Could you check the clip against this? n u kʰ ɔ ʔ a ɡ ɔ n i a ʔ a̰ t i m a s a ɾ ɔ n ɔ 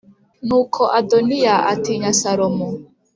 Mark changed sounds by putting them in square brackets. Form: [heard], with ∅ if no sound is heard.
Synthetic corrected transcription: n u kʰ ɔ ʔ a [d] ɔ n i a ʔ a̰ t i [ɲ] a s a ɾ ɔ [m] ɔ